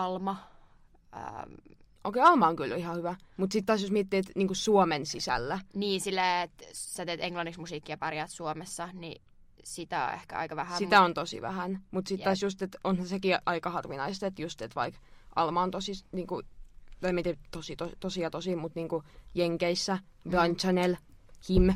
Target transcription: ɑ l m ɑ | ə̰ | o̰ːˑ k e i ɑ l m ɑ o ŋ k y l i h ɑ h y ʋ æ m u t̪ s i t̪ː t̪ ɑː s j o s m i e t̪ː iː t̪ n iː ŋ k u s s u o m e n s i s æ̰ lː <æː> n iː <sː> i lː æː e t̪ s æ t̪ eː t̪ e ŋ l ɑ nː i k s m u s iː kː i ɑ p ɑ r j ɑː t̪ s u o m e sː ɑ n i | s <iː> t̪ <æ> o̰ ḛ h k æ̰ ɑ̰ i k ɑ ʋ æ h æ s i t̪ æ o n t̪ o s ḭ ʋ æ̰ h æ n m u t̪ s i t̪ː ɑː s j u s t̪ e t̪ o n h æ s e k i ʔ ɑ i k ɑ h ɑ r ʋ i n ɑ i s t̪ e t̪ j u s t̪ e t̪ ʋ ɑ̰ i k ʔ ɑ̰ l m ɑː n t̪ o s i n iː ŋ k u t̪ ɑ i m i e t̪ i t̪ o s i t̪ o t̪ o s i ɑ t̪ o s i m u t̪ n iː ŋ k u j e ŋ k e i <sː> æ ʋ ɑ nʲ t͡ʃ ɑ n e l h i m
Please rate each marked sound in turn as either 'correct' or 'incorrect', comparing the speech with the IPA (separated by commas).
incorrect, incorrect, incorrect, correct, correct